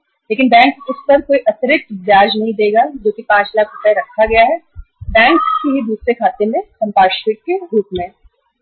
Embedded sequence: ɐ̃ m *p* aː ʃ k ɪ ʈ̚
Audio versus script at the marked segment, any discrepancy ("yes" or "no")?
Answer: no